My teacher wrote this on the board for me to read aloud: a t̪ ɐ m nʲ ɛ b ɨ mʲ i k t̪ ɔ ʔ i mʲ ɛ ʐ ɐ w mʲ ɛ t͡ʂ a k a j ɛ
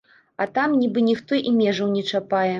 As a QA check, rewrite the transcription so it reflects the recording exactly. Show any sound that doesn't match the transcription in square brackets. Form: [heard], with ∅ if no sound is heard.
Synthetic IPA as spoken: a t̪ [a] m nʲ [i] b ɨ [nʲ] i [x] t̪ ɔ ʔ i mʲ ɛ ʐ ɐ w [nʲ] ɛ t͡ʂ a [p] a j ɛ